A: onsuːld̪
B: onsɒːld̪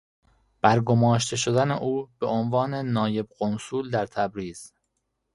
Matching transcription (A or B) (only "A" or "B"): A